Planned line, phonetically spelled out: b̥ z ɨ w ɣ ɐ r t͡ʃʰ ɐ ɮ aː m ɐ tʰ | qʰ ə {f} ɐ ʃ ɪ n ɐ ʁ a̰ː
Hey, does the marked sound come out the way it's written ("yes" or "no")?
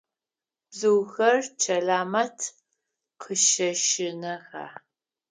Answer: no